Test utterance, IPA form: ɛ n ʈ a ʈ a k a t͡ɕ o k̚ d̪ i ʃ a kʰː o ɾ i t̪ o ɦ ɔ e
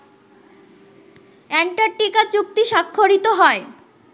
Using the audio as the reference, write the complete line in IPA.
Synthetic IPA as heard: ɛ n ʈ a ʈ i k a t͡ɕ u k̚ t̪ i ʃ a kʰː o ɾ i t̪ o ɦ ɔ e

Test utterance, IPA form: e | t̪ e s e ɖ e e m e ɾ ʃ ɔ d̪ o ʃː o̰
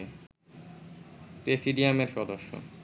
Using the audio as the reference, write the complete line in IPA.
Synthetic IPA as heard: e | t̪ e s i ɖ i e m e ɾ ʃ ɔ d̪ o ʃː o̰

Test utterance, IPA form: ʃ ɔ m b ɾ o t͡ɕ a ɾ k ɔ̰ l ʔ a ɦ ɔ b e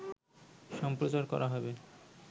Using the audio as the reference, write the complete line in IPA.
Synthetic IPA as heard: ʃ ɔ m p ɾ o t͡ɕ a ɾ k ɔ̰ ɾ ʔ a ɦ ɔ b e

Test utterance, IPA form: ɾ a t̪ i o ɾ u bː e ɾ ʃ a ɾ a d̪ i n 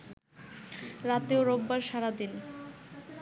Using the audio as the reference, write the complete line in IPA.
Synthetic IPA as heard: ɾ a t̪ e o ɾ o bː a ɾ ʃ a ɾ a d̪ i n

